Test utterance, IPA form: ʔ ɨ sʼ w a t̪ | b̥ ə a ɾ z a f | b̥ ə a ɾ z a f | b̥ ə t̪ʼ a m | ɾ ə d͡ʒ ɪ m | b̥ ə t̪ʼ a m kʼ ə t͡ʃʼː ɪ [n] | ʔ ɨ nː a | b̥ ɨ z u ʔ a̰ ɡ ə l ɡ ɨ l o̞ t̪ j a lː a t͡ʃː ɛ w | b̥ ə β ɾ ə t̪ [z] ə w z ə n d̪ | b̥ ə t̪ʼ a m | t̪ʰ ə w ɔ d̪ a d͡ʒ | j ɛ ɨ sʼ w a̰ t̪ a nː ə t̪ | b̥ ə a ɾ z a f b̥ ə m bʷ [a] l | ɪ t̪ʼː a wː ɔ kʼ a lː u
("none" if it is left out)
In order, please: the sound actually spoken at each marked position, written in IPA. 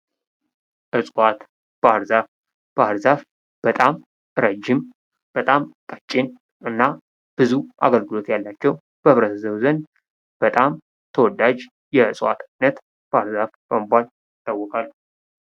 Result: n, z, a

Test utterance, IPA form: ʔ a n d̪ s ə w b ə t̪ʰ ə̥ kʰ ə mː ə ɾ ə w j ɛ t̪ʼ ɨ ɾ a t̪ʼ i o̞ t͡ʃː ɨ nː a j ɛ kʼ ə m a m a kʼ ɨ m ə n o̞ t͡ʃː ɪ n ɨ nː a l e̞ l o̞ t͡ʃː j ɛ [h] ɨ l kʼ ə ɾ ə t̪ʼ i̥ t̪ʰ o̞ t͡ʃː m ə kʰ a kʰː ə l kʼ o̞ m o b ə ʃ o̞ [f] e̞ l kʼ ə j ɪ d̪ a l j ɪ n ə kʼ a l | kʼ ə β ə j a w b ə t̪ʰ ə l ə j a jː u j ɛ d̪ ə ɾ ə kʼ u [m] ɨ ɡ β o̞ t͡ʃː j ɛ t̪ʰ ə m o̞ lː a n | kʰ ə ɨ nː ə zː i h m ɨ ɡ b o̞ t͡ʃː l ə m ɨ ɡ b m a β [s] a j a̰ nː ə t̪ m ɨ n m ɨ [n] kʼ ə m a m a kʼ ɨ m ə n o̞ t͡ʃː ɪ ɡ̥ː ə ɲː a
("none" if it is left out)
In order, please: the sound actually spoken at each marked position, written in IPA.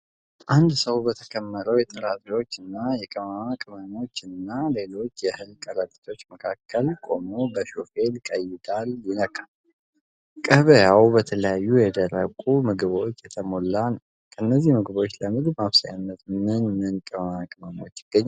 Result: h, f, m, s, n

